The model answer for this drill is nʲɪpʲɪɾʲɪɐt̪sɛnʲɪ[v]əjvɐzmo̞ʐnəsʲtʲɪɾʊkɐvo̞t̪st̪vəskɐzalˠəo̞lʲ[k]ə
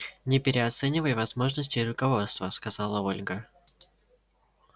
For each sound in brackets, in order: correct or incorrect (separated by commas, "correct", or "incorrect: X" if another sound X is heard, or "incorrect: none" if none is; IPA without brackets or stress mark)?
correct, incorrect: ɡ